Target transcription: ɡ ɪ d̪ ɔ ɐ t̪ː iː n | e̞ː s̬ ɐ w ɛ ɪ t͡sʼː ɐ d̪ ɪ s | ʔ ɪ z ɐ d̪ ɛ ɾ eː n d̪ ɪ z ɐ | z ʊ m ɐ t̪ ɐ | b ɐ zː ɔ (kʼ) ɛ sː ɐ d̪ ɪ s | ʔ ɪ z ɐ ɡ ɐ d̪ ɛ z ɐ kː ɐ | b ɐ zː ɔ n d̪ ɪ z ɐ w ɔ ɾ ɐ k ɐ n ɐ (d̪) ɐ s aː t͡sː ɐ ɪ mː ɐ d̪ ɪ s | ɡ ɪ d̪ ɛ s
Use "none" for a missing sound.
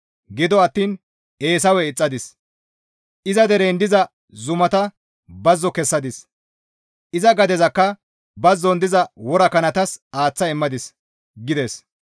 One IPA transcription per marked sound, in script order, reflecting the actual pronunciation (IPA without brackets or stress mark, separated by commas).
k, t̪